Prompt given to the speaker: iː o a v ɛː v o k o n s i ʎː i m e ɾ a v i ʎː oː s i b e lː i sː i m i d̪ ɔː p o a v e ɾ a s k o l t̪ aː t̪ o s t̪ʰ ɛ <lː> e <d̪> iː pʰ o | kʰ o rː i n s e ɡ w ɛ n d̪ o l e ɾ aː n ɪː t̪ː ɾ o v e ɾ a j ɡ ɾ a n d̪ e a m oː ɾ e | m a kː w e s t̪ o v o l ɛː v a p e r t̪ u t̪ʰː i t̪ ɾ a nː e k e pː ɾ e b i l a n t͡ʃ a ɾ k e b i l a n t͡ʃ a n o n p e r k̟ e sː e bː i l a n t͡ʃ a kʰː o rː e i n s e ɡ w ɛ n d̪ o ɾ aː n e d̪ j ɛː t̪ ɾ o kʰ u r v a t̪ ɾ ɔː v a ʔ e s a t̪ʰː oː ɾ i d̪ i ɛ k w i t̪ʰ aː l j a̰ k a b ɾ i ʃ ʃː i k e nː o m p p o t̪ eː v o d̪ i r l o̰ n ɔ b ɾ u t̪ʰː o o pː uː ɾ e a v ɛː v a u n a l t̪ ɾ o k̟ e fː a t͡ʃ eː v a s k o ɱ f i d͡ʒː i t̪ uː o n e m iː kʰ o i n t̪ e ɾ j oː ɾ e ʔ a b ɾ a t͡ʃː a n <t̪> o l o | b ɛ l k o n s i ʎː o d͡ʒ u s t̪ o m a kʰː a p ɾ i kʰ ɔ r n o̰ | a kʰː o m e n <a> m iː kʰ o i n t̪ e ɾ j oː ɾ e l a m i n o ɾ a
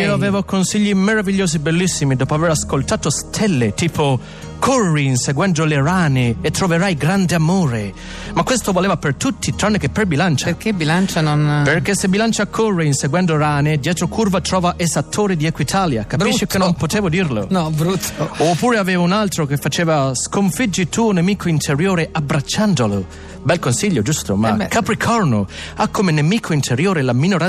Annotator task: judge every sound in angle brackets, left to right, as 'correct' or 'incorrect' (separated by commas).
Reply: correct, incorrect, incorrect, incorrect